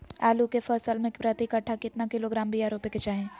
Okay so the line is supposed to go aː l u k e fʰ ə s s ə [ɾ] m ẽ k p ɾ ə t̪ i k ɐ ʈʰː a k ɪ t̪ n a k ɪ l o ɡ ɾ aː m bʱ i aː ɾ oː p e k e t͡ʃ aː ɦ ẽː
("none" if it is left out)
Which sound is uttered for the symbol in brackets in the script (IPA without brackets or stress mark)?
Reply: l